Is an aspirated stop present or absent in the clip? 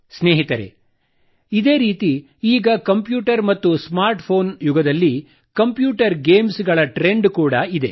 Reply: present